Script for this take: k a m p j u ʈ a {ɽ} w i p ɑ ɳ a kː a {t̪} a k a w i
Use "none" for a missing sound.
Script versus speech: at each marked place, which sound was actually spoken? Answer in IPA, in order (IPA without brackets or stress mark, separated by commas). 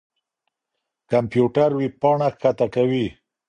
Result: ɾ, t̪